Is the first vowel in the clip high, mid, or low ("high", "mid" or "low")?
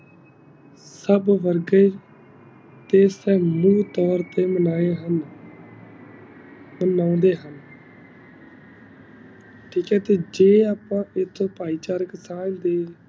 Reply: mid